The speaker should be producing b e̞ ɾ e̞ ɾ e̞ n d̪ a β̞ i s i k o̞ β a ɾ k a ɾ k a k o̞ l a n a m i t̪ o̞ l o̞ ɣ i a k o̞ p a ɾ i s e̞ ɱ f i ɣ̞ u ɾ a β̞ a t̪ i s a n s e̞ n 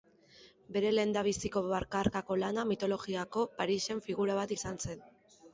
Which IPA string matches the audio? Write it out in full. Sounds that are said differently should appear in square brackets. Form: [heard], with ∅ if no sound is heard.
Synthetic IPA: b e̞ ɾ e̞ [l] e̞ n d̪ a β̞ i s i k o̞ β a ɾ k a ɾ k a k o̞ l a n a m i t̪ o̞ l o̞ ɣ i a k o̞ p a ɾ i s e̞ ɱ f i ɣ̞ u ɾ a β̞ a t̪ i s a n s e̞ n